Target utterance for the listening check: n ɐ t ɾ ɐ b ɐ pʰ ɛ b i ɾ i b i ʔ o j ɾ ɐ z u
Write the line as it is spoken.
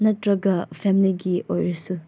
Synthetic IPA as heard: n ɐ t ɾ ɐ ɡ ɐ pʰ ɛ m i l i ɡ i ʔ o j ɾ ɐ s u